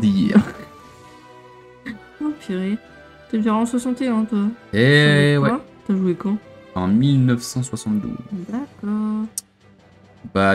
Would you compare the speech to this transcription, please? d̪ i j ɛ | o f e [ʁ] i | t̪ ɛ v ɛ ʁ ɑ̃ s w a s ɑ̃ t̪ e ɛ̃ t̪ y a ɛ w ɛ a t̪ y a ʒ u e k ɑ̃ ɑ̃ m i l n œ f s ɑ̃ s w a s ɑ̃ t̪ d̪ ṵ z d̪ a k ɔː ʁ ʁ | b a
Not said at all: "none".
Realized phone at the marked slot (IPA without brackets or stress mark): ʁ